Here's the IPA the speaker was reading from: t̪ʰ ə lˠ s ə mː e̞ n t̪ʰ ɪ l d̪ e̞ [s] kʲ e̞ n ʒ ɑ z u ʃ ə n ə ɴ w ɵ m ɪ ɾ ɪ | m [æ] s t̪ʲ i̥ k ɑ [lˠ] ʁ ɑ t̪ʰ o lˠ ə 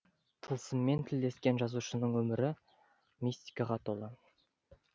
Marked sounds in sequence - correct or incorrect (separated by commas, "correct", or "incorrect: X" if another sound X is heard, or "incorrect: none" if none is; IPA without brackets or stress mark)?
correct, incorrect: i, incorrect: none